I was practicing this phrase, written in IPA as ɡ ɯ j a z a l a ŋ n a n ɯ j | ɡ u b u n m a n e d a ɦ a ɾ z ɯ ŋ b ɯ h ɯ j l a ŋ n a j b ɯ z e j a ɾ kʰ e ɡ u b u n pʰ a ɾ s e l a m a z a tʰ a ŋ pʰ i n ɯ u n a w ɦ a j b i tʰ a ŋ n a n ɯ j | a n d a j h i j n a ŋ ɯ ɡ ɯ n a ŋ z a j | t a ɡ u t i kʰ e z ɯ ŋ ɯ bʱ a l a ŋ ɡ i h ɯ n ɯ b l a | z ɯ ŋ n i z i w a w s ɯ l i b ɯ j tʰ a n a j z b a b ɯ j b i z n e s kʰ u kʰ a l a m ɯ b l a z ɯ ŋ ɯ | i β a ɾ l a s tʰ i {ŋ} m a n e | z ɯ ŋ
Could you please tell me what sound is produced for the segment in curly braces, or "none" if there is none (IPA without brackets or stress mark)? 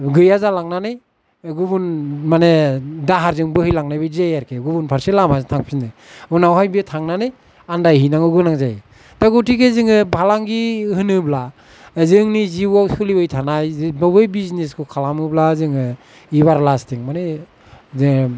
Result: ŋ